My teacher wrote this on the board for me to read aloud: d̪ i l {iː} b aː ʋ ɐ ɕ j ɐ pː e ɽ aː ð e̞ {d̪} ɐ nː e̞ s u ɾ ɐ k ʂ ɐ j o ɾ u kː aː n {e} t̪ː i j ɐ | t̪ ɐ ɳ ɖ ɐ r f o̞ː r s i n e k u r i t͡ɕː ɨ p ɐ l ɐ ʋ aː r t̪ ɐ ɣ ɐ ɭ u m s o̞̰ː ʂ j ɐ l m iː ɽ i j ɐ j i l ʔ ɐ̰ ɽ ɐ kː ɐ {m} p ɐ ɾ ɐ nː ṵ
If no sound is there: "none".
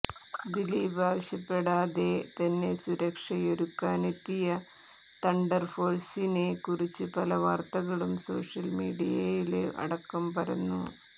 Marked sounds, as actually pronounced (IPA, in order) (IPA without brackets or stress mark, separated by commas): iː, t̪, e, m